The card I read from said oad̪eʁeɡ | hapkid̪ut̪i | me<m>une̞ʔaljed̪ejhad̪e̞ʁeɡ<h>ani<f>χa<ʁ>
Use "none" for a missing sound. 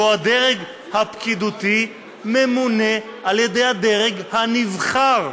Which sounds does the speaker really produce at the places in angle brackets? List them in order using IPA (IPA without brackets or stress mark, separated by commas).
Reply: m, h, v, ʁ